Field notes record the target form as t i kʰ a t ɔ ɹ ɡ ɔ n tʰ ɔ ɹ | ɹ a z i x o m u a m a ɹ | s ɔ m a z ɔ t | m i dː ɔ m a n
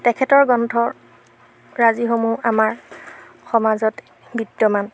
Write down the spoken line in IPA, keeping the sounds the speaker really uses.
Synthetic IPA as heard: t ɛ kʰ ɛ t ɔ ɹ ɡ ɔ n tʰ ɔ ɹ | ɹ a z i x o m u a m a ɹ | x ɔ m a z ɔ t | b i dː ɔ m a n